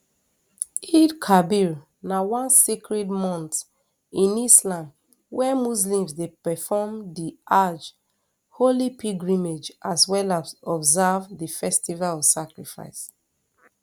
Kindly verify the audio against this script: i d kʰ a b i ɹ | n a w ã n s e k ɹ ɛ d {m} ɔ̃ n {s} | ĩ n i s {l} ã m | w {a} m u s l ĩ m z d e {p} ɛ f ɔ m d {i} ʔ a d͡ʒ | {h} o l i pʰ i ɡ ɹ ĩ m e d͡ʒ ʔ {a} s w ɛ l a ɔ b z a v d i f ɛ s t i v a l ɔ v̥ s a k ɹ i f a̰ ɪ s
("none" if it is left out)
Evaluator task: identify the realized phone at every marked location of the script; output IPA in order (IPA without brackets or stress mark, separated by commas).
m, t, l, ɛ, p, i, h, a